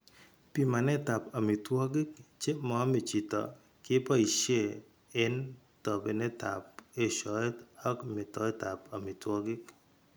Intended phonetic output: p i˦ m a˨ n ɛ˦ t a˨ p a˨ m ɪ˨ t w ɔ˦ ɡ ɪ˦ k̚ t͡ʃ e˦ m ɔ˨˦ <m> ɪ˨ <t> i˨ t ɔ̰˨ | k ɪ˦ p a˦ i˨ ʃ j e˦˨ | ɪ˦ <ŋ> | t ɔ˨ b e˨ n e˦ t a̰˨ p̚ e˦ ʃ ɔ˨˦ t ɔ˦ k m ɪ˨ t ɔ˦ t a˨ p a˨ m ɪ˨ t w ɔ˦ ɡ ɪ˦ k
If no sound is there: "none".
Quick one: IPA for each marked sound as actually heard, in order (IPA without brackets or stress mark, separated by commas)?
m, t͡ʃ, n